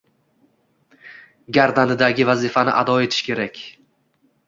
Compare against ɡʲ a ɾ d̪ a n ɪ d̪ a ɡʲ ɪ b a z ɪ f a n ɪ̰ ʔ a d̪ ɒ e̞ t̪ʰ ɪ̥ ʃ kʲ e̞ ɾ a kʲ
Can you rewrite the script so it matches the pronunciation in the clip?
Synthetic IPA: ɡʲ a ɾ d̪ a n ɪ d̪ a ɡʲ ɪ v a z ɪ f a n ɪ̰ ʔ a d̪ ɒ e̞ t̪ʰ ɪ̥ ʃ kʲ e̞ ɾ a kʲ